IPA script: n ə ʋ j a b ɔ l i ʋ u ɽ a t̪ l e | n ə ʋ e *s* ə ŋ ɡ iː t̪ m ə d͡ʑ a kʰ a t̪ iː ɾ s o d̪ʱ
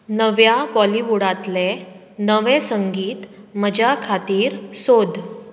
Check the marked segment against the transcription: correct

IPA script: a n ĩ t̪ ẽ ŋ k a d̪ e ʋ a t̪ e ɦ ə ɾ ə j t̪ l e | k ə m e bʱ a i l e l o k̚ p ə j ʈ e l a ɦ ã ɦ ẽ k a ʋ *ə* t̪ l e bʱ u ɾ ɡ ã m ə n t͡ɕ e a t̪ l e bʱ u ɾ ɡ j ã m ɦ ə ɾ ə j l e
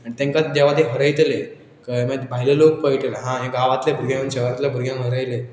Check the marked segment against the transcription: incorrect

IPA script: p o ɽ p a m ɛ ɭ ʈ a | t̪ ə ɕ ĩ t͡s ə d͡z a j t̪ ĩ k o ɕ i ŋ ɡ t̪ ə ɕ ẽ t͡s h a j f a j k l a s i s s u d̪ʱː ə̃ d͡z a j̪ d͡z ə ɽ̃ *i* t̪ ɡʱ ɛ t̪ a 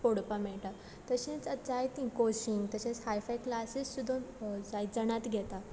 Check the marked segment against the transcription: incorrect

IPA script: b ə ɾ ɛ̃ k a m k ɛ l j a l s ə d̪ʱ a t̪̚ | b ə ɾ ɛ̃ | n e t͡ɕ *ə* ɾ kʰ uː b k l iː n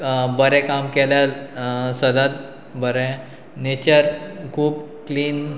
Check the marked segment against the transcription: correct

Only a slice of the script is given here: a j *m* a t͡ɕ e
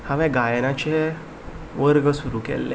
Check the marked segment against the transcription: incorrect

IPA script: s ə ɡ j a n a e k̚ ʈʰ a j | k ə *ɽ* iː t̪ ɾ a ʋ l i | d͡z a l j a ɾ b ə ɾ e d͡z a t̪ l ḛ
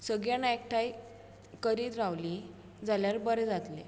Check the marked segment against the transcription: incorrect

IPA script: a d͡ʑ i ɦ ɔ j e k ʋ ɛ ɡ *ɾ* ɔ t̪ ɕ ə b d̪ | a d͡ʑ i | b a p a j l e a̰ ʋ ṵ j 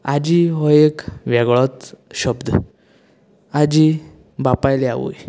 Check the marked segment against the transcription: incorrect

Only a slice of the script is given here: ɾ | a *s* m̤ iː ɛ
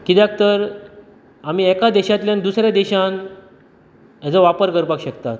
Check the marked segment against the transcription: incorrect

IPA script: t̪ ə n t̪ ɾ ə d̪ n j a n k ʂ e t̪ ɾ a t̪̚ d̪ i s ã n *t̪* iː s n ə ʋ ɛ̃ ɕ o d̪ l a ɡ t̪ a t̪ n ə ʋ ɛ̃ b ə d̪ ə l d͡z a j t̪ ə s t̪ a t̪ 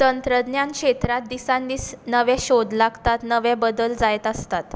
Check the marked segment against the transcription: incorrect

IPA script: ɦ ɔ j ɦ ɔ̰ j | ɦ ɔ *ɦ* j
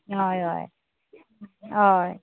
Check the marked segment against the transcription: incorrect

